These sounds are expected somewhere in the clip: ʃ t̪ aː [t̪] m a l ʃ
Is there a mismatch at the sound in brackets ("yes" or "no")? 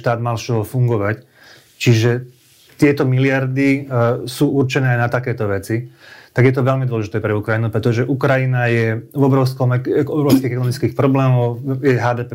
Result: yes